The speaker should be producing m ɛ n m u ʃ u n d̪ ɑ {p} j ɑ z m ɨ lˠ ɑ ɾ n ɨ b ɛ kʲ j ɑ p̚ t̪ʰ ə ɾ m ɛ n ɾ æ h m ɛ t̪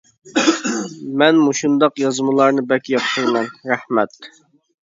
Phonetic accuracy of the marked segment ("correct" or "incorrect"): incorrect